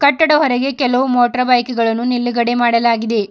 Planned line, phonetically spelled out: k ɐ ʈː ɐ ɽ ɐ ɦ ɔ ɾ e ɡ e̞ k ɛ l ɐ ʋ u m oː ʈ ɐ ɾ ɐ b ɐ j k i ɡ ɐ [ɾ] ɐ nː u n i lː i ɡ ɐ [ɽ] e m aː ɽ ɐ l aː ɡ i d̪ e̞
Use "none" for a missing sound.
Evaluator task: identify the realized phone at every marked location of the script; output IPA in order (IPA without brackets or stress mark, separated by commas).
ɭ, ɽ